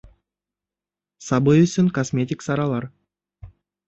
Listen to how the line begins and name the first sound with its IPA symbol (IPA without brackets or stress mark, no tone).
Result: s